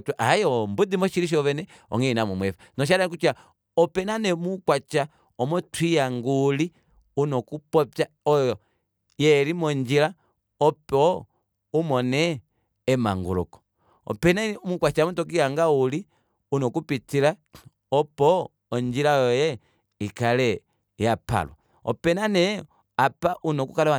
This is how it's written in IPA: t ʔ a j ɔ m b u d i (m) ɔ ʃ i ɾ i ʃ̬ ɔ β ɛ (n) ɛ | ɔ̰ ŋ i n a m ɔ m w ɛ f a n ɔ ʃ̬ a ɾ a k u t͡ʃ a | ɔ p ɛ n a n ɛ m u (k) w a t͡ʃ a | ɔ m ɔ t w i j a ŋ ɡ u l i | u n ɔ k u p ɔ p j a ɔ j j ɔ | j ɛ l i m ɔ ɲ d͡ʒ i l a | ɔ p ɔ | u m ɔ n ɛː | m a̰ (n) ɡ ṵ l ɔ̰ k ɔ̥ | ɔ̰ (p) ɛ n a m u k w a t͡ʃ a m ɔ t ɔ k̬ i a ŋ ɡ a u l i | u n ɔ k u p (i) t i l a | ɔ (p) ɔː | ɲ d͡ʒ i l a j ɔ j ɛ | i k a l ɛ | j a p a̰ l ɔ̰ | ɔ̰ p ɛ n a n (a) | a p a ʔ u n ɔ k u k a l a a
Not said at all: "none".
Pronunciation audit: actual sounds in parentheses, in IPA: m, n, k, ŋ, p, i, p, ɛ

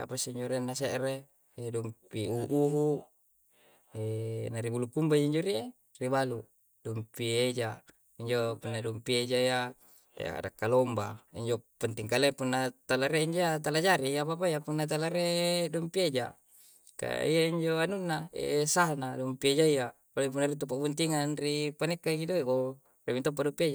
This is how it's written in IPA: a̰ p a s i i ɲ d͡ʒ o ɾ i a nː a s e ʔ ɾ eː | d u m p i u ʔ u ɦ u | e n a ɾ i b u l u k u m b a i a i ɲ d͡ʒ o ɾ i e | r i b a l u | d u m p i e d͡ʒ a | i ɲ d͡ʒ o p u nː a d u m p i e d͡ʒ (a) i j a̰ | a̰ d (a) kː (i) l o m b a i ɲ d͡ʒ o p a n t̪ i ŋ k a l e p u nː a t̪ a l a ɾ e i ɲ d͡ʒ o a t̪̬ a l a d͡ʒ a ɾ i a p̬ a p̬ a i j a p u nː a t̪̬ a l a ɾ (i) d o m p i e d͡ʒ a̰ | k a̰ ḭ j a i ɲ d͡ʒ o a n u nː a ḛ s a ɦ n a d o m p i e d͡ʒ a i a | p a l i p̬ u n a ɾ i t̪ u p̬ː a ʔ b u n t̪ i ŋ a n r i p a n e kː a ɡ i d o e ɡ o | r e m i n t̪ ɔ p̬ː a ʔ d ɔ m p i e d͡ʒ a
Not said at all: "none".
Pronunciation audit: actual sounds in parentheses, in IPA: a, a, a, e

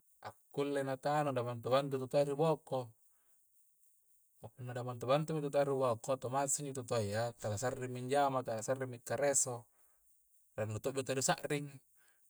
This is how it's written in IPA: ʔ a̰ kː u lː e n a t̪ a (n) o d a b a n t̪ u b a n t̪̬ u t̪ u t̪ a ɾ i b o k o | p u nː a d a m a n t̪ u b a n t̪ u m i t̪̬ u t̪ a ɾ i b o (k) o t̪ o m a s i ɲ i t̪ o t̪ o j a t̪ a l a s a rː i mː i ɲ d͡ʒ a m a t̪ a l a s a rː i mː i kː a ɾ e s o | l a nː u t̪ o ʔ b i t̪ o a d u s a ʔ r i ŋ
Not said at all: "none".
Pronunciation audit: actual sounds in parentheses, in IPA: n, k

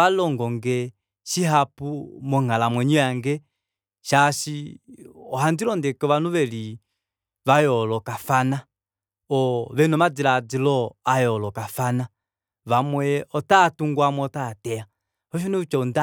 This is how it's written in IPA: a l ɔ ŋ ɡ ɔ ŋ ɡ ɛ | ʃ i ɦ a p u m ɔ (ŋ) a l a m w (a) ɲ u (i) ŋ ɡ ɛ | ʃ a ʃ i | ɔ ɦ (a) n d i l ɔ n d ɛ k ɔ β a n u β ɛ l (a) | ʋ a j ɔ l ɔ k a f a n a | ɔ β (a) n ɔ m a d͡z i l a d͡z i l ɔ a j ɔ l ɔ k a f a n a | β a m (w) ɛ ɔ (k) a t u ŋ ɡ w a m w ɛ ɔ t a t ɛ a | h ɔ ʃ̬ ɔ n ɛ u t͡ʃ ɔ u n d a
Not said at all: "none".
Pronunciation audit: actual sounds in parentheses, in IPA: ŋ, ɛ, a, a, i, ɛ, w, t

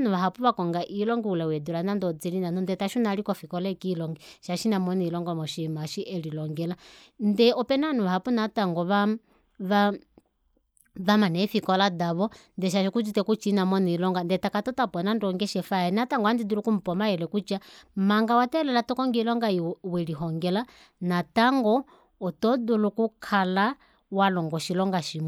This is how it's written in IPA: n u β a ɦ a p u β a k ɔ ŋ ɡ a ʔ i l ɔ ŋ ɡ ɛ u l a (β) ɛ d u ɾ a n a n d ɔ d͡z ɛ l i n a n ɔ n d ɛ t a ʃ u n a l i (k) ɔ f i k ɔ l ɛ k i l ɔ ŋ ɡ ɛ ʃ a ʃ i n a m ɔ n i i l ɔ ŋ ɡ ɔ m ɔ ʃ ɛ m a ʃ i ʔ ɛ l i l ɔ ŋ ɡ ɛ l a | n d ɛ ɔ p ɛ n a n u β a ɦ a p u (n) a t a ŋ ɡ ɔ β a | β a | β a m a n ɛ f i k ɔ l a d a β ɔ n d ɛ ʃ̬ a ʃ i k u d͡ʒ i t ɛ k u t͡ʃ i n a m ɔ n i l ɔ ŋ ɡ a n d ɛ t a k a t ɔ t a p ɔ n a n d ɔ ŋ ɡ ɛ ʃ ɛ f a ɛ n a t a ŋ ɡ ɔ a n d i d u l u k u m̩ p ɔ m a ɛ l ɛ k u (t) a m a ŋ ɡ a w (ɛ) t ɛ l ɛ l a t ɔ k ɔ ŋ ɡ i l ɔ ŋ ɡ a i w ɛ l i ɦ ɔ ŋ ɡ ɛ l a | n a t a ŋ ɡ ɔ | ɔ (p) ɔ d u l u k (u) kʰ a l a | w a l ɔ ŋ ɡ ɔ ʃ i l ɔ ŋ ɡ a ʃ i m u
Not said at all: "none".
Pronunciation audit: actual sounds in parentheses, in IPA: w, k, n, t͡ʃ, a, t, u

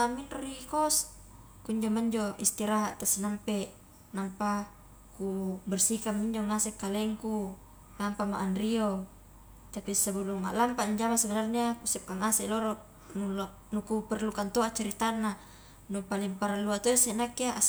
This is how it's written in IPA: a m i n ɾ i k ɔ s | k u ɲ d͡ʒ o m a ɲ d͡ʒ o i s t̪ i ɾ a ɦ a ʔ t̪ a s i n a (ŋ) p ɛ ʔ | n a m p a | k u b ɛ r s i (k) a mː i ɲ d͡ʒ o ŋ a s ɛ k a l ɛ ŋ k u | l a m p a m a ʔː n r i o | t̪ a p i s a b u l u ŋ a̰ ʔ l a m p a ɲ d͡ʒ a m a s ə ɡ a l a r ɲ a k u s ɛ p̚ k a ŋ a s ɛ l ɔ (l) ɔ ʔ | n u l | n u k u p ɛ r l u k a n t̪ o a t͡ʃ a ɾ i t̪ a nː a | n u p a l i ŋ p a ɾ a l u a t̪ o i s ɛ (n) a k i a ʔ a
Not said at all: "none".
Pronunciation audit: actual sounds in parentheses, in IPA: m, k, ɾ, n

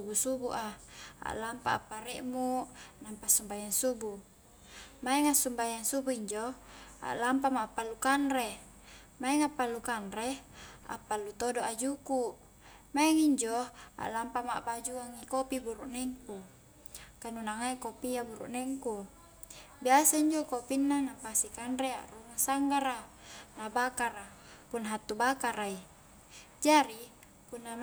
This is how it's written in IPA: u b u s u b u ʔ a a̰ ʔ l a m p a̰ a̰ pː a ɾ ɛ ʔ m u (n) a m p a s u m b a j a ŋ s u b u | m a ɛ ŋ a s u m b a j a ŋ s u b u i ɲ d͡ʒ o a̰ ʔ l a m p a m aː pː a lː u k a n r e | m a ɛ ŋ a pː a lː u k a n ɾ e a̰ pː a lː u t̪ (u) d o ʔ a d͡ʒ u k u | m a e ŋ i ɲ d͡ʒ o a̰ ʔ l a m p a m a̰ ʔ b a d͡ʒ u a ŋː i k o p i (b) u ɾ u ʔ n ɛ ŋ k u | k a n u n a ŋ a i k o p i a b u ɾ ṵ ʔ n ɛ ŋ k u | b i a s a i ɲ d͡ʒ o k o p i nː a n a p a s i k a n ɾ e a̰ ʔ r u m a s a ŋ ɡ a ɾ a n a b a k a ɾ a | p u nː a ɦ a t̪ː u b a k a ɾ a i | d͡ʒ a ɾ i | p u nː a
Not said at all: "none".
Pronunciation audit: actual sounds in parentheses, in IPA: n, o, b

